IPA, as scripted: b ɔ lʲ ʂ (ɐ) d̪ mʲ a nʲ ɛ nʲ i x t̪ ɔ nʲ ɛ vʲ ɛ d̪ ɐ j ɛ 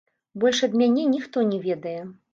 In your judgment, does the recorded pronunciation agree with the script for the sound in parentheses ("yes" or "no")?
yes